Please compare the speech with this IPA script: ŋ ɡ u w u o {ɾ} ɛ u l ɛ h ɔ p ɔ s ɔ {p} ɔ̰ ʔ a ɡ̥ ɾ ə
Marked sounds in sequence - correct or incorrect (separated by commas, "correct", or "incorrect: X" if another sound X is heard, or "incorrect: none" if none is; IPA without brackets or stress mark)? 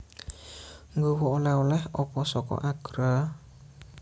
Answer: incorrect: l, incorrect: k